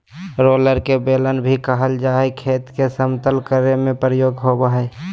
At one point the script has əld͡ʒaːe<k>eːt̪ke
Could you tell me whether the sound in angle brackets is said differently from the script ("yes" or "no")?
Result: yes